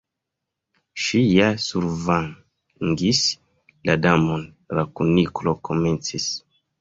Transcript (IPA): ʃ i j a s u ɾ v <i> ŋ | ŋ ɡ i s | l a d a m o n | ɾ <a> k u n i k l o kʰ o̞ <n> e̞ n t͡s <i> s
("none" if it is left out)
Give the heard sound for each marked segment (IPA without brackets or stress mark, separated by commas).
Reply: a, a, m, i